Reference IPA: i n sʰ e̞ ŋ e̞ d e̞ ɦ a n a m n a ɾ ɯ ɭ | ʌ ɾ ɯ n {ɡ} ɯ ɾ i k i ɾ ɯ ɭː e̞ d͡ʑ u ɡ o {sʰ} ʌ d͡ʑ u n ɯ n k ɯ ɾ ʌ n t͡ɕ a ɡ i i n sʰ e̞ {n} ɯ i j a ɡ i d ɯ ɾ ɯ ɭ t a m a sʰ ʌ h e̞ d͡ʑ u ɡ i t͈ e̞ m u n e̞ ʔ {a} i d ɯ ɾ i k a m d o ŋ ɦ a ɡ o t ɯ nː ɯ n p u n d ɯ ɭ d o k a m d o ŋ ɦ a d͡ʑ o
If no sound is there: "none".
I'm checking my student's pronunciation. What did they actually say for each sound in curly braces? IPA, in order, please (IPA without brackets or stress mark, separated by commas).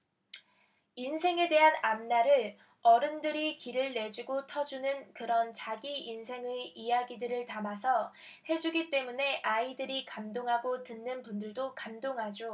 d, tʰ, ŋ, a